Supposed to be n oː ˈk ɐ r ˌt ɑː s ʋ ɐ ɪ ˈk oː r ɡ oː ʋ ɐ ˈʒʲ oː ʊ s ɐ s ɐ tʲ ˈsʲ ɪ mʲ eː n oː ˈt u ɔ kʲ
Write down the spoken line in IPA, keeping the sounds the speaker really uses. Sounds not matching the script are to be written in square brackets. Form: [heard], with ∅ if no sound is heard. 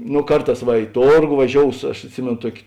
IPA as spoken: n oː ˈk ɐ r ˌt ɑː s ʋ ɐ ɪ [ˈt] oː r ɡ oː ʋ ɐ ˈʒʲ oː ʊ s ɐ [ʃ] ɐ tʲ ˈsʲ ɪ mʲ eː n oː ˈt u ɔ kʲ